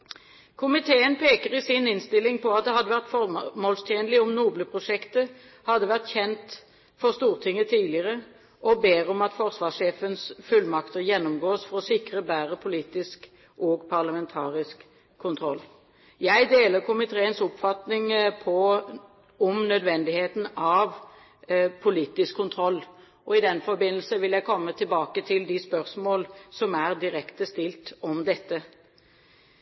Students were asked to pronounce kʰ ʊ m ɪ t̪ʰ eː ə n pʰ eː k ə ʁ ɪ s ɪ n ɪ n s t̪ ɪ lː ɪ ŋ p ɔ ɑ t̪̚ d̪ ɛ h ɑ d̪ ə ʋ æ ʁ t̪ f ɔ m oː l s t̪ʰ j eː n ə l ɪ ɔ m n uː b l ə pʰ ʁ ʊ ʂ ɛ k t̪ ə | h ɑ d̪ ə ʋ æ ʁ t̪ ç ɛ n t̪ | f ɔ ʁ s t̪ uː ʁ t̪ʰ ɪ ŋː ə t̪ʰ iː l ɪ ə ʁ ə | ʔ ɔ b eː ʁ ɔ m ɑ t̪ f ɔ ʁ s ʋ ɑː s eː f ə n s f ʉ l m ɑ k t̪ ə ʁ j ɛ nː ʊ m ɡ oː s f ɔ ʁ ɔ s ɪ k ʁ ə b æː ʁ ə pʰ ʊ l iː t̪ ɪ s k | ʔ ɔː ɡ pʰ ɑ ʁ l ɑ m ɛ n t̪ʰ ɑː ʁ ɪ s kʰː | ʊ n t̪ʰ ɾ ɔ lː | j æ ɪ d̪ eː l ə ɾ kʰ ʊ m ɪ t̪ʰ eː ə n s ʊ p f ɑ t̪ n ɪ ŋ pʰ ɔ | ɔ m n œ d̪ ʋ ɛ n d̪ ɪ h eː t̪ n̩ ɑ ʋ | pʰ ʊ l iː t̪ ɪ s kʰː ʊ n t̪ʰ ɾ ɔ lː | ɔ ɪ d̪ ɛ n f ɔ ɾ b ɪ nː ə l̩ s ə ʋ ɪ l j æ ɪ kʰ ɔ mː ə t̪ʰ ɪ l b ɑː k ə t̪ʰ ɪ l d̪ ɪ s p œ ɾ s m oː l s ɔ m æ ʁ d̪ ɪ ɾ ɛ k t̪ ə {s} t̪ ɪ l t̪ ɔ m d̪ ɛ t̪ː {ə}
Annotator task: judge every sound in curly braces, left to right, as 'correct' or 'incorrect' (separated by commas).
correct, correct